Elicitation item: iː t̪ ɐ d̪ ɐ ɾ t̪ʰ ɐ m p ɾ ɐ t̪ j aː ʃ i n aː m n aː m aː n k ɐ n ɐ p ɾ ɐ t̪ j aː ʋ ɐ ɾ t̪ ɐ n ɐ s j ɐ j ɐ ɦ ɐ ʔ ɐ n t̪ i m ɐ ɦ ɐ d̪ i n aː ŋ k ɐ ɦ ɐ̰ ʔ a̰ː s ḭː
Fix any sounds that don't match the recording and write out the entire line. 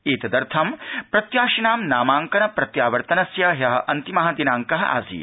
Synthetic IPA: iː t̪ ɐ d̪ ɐ ɾ t̪ʰ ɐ m p ɾ ɐ t̪ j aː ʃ i n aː m n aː m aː ŋ k ɐ n ɐ p ɾ ɐ t̪ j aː ʋ ɐ ɾ t̪ ɐ n ɐ s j ɐ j ɐ ɦ ɐ ʔ ɐ n t̪ i m ɐ ɦ ɐ d̪ i n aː ŋ k ɐ ɦ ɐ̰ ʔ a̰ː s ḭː